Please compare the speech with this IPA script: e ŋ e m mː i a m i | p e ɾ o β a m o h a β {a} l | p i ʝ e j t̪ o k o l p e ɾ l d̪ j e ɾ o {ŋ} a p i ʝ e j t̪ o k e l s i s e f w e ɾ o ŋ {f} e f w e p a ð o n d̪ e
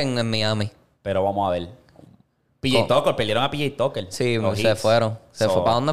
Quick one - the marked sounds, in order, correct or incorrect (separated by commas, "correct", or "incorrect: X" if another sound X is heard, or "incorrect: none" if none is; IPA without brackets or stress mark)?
incorrect: e, correct, incorrect: s